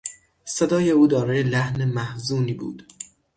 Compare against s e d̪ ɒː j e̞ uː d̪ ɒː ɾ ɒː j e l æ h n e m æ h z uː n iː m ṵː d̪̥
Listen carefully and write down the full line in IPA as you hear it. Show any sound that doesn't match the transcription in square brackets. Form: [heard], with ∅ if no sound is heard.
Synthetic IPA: s e d̪ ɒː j e̞ uː d̪ ɒː ɾ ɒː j e l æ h n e m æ h z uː n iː [b] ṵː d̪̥